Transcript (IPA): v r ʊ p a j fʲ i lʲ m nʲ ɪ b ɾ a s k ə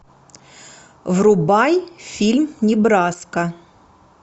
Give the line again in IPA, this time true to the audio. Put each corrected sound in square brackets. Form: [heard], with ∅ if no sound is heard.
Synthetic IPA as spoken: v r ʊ [b] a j fʲ i lʲ m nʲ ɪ b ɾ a s k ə